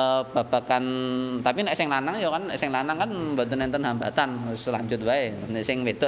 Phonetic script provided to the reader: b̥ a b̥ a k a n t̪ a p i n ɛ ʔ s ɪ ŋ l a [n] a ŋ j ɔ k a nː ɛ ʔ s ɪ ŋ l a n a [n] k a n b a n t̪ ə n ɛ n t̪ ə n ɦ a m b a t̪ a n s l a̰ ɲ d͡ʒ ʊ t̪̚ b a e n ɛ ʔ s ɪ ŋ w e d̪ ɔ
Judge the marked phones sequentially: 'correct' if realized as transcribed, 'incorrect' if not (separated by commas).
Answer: correct, incorrect